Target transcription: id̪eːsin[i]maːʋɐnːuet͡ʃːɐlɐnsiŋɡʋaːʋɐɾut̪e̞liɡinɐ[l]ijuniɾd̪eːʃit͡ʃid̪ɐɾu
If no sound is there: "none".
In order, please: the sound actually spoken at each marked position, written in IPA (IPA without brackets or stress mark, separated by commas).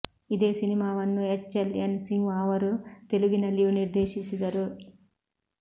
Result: i, l